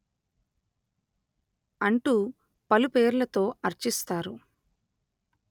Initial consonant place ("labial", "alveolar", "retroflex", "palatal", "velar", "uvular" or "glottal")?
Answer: retroflex